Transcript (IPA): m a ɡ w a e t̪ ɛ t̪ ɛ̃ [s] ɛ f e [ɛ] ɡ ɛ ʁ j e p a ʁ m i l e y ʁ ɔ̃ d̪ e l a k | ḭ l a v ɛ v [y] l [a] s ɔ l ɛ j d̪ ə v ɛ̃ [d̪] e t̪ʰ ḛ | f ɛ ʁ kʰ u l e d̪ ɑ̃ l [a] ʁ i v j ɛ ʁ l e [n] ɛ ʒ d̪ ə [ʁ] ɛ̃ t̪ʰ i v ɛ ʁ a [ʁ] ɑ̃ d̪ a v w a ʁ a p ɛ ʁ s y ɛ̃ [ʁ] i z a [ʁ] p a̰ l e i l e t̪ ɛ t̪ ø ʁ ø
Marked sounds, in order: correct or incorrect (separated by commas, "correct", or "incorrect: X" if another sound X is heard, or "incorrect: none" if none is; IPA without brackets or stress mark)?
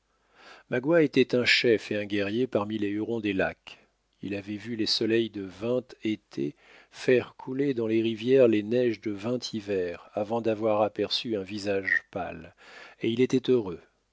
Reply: incorrect: ʃ, incorrect: ɛ̃, correct, incorrect: e, incorrect: t̪, incorrect: e, correct, incorrect: v, incorrect: v, incorrect: v, incorrect: ʒ